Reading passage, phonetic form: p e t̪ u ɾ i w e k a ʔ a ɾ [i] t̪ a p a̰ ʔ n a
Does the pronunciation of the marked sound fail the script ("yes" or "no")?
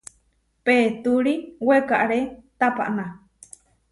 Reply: yes